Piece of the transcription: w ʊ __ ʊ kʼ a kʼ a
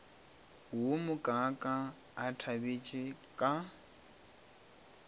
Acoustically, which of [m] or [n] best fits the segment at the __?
m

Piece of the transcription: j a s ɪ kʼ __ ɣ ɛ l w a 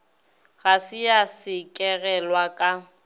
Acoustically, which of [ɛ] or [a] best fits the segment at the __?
ɛ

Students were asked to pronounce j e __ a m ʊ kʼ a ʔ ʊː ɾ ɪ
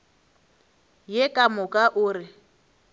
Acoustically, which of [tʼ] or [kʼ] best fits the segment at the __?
kʼ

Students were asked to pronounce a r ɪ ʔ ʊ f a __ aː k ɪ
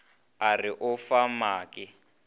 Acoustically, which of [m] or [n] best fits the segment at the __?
m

